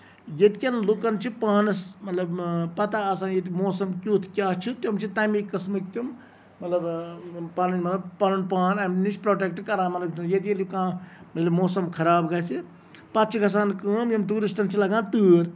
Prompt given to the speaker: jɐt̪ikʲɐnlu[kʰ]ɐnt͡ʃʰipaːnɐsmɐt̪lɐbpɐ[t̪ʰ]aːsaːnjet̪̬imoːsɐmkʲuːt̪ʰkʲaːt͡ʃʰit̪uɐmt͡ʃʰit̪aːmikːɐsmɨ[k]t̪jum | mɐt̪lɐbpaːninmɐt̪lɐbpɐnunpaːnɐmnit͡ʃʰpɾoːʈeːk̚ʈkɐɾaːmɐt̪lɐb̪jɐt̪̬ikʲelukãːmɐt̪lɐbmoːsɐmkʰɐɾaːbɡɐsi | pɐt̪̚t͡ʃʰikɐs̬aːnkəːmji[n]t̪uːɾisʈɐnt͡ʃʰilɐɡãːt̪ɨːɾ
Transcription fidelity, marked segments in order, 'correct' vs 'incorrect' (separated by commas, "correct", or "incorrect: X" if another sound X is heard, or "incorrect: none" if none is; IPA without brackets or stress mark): incorrect: k, incorrect: t̪, correct, incorrect: m